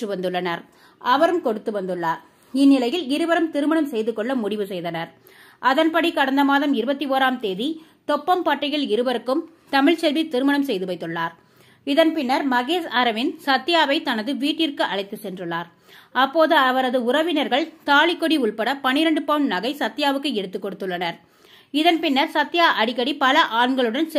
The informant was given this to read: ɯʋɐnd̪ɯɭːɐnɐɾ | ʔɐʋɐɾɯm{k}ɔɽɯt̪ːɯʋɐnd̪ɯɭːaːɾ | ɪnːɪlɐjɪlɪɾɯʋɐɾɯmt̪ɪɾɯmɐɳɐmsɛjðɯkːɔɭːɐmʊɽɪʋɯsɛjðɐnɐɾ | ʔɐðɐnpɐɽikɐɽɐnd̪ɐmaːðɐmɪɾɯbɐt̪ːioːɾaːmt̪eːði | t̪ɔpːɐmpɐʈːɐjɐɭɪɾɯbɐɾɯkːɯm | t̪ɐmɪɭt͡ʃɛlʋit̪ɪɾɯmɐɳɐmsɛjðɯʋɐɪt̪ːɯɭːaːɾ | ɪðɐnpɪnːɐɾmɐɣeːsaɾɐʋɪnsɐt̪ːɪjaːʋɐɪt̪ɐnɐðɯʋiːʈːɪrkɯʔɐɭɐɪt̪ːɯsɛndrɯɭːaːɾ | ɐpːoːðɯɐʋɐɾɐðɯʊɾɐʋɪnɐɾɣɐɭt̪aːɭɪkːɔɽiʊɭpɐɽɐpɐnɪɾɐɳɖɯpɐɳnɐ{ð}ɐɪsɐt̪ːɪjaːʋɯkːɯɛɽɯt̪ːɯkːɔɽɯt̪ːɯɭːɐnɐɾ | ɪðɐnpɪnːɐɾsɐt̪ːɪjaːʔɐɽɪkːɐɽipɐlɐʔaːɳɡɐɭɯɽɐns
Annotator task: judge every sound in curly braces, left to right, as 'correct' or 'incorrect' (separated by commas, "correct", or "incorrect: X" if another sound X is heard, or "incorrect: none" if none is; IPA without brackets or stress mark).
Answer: correct, incorrect: ɣ